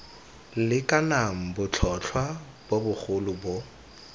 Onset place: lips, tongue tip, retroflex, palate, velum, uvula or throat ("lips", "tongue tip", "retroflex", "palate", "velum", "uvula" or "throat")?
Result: tongue tip